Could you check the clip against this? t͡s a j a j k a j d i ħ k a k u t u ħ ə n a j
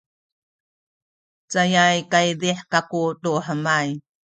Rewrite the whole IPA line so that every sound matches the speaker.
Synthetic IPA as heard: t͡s a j a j k a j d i ħ k a k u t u ħ ə m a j